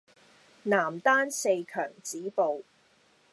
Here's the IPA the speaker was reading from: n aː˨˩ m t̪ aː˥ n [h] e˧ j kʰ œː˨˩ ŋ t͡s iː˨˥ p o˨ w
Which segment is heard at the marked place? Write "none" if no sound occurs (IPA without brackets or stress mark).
s